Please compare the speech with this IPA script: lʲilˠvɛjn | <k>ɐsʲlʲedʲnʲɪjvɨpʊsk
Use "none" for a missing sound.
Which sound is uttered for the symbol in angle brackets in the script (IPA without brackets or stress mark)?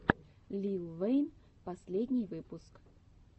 p